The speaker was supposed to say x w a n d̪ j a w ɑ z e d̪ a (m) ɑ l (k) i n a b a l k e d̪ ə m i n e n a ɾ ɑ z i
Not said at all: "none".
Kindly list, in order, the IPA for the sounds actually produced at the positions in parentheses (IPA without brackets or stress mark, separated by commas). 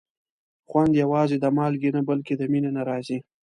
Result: m, ɡ